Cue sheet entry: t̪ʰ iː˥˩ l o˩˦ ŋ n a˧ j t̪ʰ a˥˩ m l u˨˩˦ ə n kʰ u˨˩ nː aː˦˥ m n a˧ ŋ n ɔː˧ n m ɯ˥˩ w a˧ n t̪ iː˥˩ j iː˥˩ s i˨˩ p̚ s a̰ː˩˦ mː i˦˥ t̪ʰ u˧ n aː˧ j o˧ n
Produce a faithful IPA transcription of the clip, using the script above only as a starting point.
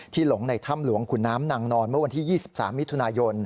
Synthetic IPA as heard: t̪ʰ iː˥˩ l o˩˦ ŋ n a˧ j t̪ʰ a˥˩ m l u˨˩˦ ə ŋ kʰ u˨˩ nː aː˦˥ m n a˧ ŋ n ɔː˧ n m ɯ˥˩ w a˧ n t̪ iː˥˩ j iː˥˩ s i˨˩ p̚ s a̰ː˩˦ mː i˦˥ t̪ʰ u˧ n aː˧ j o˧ n